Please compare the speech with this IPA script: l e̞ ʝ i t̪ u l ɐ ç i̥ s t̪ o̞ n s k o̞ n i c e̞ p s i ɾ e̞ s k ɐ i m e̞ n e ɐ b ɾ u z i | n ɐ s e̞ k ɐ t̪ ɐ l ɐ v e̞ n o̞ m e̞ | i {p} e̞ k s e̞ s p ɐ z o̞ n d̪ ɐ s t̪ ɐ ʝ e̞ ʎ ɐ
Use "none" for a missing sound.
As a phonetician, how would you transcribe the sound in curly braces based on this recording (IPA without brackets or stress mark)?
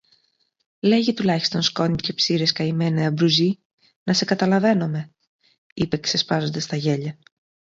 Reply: p